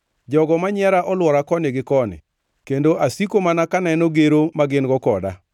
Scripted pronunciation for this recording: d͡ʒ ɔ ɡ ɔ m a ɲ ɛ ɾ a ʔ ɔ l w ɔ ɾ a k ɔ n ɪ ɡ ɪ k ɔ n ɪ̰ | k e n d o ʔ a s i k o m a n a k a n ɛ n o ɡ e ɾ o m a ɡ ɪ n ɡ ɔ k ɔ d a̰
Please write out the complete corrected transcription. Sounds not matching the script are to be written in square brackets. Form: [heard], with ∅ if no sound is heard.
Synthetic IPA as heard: d͡ʒ ɔ ɡ ɔ m a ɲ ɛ ɾ a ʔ ɔ l w ɔ ɾ a k ɔ n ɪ ɡ ɪ k ɔ n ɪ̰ | k e n d o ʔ a s i k o m a n a k a n ɛ n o ɡ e ɾ o m a ɡ ɪ n ɡ ɔ k ɔ d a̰